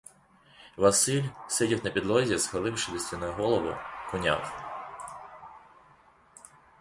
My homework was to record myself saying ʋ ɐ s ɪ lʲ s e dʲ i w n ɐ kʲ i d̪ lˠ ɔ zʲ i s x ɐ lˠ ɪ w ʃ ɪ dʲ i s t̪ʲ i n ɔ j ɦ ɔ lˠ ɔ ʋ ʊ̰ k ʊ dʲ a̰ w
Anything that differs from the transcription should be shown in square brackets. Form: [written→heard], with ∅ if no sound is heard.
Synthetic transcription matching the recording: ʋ ɐ s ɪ lʲ s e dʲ i w n ɐ [kʲ→pʲ] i d̪ lˠ ɔ zʲ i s x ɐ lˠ ɪ w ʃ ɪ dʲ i s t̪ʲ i n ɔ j ɦ ɔ lˠ ɔ ʋ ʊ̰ k ʊ [dʲ→nʲ] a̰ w